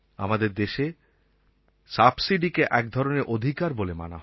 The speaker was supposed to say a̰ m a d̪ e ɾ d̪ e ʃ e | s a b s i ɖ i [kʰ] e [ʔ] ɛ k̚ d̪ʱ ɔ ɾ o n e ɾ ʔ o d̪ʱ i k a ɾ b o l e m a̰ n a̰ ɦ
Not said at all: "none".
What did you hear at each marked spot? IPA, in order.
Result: k, ʔ

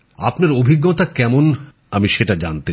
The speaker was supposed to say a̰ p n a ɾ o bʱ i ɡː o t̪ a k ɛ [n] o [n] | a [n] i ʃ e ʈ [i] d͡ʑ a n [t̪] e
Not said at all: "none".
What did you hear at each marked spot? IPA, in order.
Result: m, n, m, a, t̪

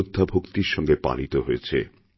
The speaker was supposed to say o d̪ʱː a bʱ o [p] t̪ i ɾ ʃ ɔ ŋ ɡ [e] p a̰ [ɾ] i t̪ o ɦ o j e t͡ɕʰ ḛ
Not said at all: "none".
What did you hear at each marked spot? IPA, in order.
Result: k, e, l

